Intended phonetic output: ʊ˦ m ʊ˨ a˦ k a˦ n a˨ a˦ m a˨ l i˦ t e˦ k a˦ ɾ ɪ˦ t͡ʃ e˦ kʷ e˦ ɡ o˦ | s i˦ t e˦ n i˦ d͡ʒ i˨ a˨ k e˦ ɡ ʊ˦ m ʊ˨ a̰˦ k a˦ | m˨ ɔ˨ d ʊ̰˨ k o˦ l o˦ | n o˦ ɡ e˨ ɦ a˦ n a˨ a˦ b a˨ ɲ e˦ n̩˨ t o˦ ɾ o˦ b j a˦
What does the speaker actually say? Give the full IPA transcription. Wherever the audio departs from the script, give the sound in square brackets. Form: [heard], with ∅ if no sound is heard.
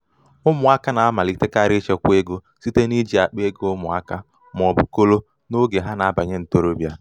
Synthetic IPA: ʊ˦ m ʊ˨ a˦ k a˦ n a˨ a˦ m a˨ l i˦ t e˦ k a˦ ɾ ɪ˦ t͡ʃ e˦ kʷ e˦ ɡ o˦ | s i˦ t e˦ n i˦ d͡ʒ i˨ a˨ [k͡p] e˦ ɡ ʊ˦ m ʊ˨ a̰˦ k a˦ | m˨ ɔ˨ [b] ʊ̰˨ k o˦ l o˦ | n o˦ ɡ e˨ ɦ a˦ n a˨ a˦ b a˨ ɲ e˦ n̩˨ t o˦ ɾ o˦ b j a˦